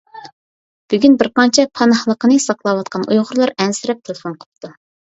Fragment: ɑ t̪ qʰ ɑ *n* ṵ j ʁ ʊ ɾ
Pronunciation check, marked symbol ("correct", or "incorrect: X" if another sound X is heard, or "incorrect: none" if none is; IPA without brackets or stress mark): correct